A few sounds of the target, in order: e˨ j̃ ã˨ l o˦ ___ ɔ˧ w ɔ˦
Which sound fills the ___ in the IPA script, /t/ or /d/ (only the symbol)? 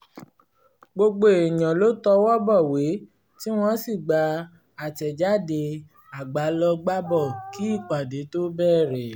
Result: t